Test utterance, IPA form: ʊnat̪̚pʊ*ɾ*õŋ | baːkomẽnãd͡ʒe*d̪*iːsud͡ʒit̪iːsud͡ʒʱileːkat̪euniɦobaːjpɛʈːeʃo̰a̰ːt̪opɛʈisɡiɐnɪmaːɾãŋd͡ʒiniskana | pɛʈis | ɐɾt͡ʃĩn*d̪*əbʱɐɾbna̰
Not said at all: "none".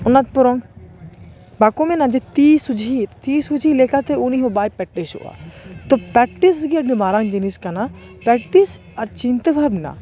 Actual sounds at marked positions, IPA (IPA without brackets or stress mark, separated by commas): ɾ, t̪, t̪